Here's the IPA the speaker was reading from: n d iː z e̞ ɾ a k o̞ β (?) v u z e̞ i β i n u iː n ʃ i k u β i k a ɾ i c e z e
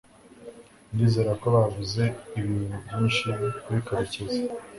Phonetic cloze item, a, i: a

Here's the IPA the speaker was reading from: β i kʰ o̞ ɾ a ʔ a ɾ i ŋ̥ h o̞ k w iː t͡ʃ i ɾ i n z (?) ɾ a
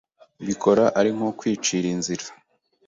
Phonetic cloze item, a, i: i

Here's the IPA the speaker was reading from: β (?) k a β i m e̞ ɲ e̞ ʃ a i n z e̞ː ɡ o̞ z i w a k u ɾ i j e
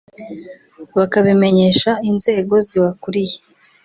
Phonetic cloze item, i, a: a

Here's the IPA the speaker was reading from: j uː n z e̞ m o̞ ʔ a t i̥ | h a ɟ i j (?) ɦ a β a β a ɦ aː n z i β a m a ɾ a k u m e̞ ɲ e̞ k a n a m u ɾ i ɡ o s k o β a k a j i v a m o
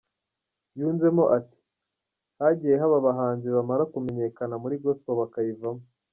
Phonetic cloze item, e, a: e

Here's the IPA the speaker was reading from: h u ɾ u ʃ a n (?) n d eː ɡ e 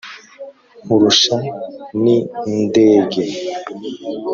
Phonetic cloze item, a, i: i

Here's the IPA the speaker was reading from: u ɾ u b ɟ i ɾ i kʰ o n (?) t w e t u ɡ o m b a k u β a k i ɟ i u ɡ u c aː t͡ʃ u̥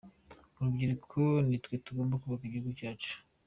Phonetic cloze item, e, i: i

